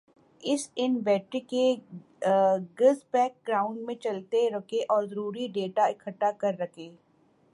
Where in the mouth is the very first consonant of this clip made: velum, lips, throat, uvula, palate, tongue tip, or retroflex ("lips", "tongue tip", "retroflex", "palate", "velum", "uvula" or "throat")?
tongue tip